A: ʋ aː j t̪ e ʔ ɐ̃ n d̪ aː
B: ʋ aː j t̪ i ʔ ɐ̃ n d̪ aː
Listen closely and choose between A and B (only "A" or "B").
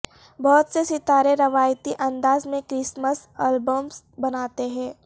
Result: B